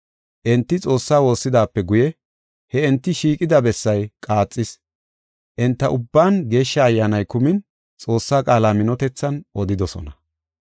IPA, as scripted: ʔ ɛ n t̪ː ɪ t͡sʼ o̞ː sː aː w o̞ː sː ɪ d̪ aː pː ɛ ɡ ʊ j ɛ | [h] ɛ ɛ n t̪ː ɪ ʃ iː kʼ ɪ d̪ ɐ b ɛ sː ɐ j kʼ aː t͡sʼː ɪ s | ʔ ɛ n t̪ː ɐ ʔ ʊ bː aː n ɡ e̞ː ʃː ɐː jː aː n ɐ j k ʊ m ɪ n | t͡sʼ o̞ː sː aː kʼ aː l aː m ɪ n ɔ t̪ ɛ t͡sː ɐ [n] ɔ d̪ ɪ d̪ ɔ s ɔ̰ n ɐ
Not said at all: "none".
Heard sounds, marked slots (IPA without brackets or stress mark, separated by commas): h, n